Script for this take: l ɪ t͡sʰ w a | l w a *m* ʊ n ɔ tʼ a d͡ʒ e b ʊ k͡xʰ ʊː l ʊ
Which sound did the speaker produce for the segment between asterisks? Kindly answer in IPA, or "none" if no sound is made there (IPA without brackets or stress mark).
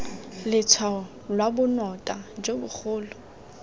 b